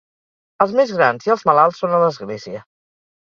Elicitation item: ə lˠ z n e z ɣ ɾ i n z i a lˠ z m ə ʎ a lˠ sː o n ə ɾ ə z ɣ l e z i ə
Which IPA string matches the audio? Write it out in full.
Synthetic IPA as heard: ə lˠ z m e z ɣ ɾ a n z i ə lˠ z m ə l a lˠ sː o n ə l ə z ɣ l e z i ə